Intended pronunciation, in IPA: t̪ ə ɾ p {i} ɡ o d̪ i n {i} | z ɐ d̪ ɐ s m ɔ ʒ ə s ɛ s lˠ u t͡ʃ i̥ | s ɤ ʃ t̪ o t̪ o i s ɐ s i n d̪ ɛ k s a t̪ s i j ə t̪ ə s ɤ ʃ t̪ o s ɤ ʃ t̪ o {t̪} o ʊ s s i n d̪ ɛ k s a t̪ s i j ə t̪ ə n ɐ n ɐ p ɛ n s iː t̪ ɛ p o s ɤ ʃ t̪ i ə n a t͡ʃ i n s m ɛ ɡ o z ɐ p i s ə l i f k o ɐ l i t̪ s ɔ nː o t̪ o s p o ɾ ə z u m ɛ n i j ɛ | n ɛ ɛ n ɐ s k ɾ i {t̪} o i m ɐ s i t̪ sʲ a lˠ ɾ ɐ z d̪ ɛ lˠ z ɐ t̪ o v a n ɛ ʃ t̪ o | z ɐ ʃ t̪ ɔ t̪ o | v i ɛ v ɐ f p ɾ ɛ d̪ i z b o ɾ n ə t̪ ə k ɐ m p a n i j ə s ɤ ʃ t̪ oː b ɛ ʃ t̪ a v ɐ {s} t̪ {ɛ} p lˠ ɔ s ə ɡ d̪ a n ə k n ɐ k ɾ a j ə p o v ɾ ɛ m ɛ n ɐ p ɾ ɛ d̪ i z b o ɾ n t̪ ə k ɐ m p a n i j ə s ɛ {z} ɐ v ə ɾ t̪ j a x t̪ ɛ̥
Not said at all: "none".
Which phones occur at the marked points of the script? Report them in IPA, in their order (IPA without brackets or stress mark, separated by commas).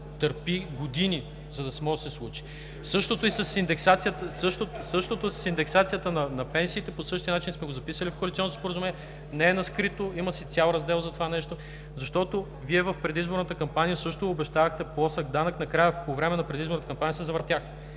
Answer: i, i, t̪, t̪, x, ɛ, z